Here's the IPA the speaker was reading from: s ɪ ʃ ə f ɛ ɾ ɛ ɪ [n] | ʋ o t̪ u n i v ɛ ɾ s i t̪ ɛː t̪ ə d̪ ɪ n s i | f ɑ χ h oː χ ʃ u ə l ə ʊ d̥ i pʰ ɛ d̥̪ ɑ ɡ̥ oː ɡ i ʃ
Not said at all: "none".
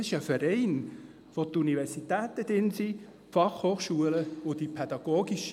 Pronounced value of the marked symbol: n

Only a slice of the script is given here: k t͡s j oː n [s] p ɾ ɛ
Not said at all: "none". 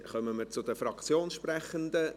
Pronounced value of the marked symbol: ʃ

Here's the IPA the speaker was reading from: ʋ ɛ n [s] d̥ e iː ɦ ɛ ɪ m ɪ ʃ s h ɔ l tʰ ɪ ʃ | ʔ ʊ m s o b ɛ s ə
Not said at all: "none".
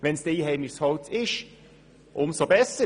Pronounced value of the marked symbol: s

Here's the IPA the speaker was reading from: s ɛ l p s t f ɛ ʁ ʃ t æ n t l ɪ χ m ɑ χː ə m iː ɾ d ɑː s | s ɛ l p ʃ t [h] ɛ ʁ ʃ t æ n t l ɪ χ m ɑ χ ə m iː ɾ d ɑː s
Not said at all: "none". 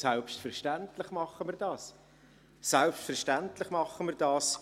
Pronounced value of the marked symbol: f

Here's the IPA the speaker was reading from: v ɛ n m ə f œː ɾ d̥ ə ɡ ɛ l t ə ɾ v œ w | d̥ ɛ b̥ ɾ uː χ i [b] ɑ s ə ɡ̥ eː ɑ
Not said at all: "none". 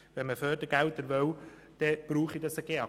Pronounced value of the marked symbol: d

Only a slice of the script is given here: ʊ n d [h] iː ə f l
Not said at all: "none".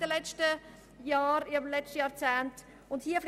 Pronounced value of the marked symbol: h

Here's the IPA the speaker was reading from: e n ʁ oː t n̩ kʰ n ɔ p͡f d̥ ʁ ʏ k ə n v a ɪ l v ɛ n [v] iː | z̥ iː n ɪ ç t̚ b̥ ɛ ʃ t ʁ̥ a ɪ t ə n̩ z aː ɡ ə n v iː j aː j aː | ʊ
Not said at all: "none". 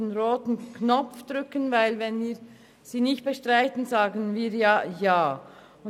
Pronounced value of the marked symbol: v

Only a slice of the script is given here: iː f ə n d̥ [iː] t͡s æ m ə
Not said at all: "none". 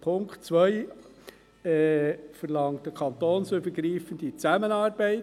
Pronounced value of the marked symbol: i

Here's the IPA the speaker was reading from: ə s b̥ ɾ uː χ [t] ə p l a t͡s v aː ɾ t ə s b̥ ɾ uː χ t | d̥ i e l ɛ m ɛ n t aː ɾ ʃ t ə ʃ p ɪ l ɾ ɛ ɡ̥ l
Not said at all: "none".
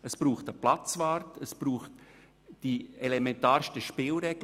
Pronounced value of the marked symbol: t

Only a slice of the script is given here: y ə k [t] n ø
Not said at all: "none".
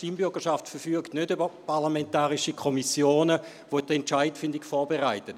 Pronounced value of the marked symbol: t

